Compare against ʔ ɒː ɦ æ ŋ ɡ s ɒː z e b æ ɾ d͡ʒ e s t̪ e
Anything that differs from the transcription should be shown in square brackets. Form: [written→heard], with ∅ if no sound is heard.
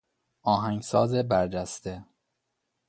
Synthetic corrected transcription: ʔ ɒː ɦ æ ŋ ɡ s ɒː z e b æ ɾ d͡ʒ [e→æ] s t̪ e